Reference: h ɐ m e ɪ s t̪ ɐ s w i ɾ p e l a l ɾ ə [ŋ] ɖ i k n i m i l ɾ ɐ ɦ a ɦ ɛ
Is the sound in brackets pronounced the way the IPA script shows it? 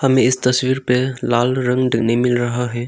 yes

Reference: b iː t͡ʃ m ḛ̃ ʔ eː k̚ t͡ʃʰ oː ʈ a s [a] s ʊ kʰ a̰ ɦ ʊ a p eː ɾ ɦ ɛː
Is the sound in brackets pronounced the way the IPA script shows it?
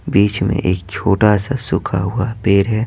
yes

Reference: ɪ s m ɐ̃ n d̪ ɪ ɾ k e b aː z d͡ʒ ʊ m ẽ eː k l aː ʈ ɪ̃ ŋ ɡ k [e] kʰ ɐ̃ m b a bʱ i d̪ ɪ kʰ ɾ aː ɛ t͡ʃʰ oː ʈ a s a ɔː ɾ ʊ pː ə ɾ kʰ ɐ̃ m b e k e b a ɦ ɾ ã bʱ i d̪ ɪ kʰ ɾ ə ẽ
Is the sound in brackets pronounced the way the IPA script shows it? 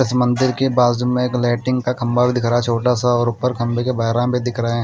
no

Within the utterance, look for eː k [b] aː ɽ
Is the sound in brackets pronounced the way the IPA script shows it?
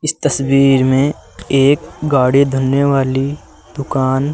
no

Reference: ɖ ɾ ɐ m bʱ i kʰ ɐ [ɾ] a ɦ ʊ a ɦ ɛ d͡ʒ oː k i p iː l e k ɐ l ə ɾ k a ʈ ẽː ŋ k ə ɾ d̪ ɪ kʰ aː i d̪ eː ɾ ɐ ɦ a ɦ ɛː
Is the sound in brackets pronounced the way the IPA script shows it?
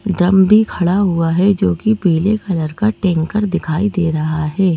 no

